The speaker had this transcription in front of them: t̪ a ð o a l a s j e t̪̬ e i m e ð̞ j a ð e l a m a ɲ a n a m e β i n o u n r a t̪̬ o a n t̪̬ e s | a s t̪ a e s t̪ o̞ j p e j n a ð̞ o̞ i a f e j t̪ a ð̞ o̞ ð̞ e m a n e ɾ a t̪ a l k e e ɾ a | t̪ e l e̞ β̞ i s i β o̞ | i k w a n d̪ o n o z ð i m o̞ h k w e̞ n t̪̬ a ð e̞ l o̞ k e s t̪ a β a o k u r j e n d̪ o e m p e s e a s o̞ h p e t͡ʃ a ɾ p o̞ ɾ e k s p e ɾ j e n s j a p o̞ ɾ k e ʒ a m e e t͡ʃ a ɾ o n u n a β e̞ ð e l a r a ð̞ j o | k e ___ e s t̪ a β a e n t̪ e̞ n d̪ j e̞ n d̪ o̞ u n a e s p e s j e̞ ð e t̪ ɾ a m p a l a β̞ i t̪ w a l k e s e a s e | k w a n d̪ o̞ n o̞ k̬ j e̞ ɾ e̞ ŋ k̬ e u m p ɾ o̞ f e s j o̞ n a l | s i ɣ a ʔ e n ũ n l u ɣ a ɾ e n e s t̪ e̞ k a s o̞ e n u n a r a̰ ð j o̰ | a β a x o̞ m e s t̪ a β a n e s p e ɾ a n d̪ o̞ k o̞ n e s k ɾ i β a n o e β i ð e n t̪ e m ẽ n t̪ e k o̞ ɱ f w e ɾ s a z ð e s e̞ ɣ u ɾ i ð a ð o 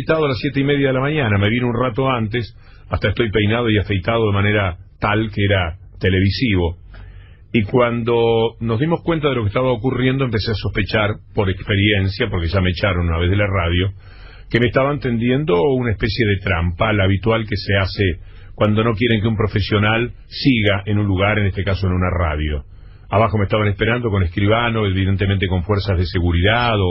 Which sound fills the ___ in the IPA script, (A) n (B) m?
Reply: B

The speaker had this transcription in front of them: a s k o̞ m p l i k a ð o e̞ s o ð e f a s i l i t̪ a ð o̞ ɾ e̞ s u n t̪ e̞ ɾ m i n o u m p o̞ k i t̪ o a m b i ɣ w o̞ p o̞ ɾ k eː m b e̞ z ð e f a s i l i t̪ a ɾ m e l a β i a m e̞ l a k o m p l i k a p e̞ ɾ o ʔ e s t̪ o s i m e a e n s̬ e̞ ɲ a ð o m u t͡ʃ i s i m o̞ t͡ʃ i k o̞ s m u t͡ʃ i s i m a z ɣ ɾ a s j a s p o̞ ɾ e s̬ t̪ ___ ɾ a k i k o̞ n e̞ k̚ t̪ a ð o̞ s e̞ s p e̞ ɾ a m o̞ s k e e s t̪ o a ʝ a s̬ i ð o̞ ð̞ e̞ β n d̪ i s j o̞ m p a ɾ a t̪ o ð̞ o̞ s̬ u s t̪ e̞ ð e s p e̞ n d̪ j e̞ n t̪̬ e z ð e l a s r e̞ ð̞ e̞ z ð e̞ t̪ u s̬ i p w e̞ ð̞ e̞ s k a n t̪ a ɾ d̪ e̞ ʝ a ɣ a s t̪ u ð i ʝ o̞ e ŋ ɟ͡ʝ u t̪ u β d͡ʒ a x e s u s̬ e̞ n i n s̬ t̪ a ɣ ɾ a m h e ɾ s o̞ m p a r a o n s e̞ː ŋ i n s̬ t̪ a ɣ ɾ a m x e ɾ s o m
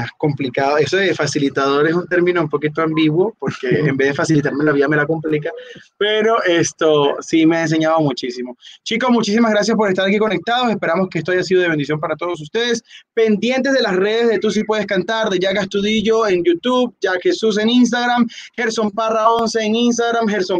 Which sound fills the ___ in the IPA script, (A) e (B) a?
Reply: B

